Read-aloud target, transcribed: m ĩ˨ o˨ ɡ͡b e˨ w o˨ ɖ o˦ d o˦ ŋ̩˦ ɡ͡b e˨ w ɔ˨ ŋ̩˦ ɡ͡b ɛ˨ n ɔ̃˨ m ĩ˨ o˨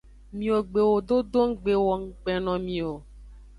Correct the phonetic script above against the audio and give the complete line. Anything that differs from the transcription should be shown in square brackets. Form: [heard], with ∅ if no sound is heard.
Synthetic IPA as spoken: m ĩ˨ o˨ ɡ͡b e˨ w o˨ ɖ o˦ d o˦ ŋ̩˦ ɡ͡b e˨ w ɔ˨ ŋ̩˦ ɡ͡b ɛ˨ n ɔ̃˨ m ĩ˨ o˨